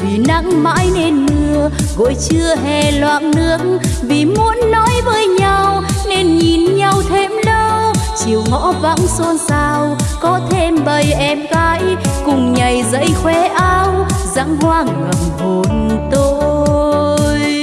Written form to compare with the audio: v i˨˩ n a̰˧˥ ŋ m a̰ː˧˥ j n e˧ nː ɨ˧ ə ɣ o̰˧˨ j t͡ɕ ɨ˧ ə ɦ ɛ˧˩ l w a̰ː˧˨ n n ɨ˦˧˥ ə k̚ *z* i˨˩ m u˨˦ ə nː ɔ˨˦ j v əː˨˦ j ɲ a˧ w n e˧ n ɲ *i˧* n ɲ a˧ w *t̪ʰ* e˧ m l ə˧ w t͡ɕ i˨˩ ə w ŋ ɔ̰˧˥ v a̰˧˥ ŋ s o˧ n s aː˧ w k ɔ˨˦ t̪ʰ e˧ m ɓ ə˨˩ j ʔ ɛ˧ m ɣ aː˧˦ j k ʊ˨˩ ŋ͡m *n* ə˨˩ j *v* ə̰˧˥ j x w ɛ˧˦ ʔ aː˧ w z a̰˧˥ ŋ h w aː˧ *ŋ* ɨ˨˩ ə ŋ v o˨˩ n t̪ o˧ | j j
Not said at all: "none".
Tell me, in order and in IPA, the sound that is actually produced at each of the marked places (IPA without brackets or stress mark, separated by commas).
v, i˨˩, t̪ʰ, ɲ, z, ŋ